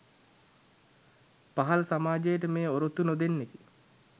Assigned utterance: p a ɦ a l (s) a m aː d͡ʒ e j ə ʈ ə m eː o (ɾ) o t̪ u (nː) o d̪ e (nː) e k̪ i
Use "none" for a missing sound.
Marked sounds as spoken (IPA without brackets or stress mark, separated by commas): s, ɾ, n, nː